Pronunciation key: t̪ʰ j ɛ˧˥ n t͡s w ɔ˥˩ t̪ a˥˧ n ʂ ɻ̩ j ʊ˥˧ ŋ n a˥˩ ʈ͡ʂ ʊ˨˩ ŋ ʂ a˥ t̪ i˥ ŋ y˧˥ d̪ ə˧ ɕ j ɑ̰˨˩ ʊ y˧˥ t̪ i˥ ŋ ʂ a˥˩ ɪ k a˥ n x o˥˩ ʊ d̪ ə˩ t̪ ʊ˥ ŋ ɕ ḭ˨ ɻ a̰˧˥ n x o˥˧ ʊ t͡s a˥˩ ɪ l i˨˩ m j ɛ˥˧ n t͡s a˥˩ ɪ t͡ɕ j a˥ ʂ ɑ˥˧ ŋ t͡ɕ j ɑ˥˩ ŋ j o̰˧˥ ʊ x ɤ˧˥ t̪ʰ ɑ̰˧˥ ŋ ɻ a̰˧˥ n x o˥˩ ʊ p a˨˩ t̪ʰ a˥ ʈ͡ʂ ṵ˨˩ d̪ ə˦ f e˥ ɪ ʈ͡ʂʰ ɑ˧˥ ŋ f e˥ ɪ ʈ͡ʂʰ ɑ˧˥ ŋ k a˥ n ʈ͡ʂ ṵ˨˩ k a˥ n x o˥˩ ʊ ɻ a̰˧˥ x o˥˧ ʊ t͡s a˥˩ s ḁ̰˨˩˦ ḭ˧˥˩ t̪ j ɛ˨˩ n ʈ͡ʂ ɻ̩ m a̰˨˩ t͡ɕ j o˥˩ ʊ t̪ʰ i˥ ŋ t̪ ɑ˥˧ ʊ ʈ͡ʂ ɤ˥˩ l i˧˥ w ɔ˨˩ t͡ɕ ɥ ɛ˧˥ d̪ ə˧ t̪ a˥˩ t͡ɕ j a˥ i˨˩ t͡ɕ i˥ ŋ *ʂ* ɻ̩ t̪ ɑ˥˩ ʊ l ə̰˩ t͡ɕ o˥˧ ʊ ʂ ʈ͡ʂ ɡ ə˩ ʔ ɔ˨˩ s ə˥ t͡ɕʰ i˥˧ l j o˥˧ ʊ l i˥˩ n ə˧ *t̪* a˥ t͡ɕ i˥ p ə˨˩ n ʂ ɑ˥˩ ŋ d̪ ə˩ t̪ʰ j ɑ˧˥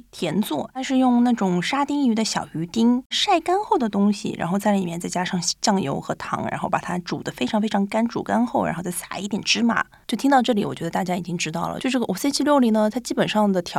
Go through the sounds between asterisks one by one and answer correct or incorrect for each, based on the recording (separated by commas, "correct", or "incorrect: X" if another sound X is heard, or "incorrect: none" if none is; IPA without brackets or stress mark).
incorrect: ʈ͡ʂ, incorrect: t̪ʰ